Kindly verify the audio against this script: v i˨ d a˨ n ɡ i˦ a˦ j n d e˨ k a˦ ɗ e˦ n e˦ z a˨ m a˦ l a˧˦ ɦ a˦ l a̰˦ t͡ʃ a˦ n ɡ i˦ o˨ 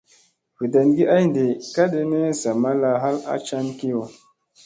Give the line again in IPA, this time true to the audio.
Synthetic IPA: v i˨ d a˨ n ɡ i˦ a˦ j n d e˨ k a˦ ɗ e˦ n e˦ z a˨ m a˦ l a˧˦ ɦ a˦ l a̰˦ t͡ʃ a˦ n k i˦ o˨